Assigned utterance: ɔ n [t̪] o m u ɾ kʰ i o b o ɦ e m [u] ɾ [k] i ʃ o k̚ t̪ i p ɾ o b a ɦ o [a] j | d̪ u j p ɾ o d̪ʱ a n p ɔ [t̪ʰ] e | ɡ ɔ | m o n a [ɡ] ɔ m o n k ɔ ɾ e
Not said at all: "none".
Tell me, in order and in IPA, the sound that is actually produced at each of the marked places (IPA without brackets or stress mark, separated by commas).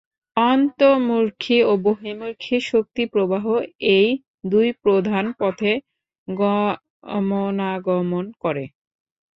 t̪, u, kʰ, e, t̪ʰ, ɡ